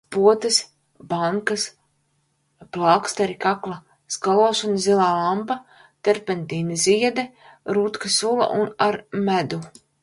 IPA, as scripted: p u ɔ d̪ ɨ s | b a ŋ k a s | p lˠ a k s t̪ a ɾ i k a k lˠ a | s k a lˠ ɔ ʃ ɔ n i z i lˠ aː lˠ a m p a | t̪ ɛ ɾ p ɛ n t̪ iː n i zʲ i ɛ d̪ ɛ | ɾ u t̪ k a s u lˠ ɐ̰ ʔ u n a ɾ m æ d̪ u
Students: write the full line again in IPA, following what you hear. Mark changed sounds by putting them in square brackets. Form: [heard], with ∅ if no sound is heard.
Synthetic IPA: p u ɔ [t̪] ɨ s | b a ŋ k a s | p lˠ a k s t̪ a ɾ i k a k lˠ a | s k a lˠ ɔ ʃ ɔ n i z i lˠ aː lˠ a m p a | t̪ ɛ ɾ p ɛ n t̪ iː n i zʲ i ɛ d̪ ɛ | ɾ u t̪ k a s u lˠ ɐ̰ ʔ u n a ɾ m æ d̪ u

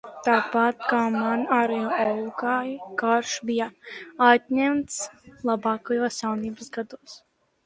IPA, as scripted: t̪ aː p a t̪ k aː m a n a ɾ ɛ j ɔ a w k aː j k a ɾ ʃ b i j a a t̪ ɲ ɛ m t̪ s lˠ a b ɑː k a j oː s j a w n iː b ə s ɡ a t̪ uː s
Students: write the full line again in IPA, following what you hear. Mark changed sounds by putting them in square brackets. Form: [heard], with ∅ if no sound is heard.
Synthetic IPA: t̪ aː p a t̪ k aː m a n a ɾ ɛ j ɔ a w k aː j k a ɾ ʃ b i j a a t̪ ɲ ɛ m t̪ s lˠ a b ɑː k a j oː s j a w n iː b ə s ɡ a [d̪] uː s

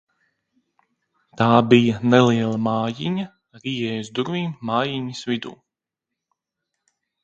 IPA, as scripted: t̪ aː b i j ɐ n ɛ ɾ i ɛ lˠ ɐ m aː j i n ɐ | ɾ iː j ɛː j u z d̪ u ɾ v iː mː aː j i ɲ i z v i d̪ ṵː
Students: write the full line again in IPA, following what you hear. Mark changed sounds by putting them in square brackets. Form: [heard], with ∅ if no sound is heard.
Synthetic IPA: t̪ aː b i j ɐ n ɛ [l] i ɛ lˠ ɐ m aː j i [ɲ] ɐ | ɾ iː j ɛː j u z d̪ u ɾ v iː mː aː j i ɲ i [s] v i d̪ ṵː

